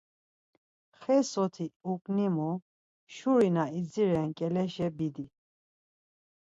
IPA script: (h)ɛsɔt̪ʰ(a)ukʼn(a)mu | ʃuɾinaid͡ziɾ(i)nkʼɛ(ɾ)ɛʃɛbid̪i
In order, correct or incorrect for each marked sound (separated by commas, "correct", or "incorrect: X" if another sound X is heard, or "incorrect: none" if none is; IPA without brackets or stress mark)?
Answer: incorrect: χ, incorrect: i, incorrect: i, incorrect: ɛ, incorrect: l